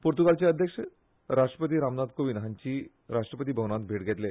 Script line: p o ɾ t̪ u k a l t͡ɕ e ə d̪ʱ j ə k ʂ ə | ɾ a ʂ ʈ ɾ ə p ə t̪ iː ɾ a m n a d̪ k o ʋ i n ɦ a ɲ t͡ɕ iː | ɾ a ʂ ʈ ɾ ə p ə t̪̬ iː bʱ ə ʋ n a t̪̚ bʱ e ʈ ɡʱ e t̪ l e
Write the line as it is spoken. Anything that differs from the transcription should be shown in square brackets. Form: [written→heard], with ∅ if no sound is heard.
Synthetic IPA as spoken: p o ɾ t̪ u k a l t͡ɕ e ə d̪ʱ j ə k ʂ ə | ɾ a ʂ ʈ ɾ ə p ə t̪ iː ɾ a m n a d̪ k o ʋ i n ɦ a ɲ t͡ɕ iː | ɾ a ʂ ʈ ɾ ə p ə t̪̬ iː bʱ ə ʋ n a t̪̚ bʱ e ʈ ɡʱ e t̪ l e